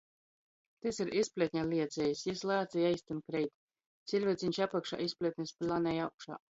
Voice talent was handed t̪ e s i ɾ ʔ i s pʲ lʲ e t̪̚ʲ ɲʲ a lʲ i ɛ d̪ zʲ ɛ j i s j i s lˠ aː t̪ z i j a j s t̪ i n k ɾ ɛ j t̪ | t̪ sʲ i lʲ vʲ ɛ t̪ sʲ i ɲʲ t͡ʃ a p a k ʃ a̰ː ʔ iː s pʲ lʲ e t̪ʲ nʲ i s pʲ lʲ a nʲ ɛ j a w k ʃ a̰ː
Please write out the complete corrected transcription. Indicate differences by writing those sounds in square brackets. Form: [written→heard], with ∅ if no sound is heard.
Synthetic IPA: t̪ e s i ɾ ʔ i s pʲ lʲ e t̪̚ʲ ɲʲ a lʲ i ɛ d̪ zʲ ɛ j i s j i s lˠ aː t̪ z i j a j s t̪ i n k ɾ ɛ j t̪ | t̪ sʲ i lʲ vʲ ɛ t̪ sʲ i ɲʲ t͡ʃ a p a k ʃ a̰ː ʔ [iː→i] s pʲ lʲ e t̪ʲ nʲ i s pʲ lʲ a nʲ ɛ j a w k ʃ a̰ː